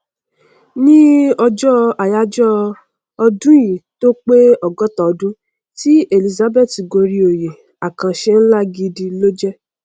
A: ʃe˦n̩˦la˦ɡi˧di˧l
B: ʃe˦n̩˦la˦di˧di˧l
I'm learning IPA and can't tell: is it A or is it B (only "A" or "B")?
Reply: A